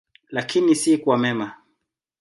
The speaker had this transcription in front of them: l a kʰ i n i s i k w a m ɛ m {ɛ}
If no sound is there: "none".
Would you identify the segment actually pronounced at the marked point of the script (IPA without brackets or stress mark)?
a